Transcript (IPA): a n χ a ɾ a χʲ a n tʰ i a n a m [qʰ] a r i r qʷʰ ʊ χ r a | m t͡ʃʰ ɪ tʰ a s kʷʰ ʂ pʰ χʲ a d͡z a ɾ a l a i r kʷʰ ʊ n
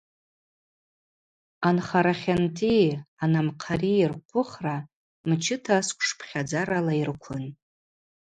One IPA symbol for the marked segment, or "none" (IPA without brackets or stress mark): qʰ